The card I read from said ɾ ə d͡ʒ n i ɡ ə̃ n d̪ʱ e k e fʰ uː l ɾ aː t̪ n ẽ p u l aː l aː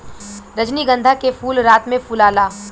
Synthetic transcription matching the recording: ɾ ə d͡ʒ n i ɡ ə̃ n d̪ʱ a k e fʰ uː l ɾ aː t̪ m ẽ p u l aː l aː